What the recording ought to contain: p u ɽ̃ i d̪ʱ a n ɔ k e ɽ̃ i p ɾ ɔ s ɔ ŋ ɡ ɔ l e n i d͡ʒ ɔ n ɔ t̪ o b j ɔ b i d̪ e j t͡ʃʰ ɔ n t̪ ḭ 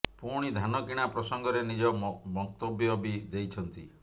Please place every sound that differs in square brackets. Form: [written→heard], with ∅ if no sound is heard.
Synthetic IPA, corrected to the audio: p u ɽ̃ i d̪ʱ a n ɔ k [e→i] ɽ̃ [i→a] p ɾ ɔ s ɔ ŋ ɡ ɔ [l→ɾ] e n i d͡ʒ ɔ [n→m] ɔ t̪ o b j ɔ b i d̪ e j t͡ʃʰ ɔ n t̪ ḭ